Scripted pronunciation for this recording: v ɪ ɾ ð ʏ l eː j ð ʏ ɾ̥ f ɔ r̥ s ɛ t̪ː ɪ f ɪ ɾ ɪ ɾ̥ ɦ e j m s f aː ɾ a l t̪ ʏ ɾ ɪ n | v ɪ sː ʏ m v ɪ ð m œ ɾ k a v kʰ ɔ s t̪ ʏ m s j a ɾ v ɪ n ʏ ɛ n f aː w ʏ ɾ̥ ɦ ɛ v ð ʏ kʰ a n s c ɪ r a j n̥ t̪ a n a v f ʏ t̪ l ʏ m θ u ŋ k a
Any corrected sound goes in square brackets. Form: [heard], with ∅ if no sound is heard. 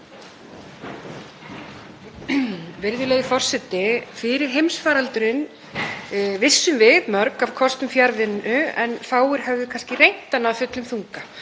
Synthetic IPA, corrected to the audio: v ɪ ɾ ð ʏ l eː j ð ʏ [∅] f ɔ r̥ s ɛ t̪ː ɪ f ɪ ɾ ɪ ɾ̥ ɦ e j m s f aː ɾ a l t̪ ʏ ɾ ɪ n | v ɪ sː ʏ m v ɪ ð m œ ɾ k a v kʰ ɔ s t̪ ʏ m [f] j a ɾ v ɪ n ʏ ɛ n f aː w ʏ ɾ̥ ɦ ɛ v ð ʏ kʰ a n s c ɪ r [e] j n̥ t̪ a n a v f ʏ t̪ l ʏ m θ u ŋ k a